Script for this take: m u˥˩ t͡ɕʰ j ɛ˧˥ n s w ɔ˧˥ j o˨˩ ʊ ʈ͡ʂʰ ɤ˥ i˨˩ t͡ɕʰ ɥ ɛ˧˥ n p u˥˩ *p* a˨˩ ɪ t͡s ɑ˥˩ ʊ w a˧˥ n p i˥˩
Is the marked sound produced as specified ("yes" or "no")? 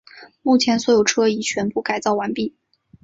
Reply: no